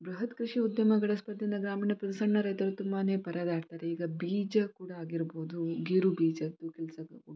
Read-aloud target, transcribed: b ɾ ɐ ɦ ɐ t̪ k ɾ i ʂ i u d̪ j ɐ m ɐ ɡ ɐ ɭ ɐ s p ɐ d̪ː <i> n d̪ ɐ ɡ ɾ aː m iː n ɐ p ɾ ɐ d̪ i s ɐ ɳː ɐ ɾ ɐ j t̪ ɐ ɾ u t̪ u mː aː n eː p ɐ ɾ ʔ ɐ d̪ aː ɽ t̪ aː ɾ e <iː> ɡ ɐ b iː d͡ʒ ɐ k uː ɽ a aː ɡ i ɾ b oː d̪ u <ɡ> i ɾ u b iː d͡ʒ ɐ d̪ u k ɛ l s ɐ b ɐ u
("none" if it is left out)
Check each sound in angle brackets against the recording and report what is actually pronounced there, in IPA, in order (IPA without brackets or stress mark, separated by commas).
i, iː, ɡ